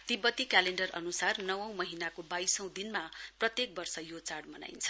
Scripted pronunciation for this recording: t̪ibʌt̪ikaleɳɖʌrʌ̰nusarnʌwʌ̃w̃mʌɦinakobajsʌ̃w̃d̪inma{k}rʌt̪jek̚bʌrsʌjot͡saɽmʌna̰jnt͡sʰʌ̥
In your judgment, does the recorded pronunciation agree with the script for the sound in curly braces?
no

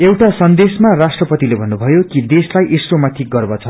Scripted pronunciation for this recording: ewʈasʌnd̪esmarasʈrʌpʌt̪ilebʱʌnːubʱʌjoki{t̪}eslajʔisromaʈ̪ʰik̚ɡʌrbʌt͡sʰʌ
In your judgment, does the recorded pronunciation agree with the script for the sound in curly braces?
no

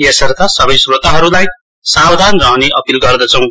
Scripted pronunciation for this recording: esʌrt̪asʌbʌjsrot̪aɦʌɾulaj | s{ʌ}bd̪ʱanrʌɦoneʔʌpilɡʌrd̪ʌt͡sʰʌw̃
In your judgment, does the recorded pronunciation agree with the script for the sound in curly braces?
no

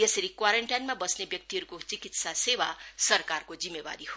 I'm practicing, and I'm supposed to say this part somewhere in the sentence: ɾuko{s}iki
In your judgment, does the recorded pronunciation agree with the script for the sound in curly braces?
no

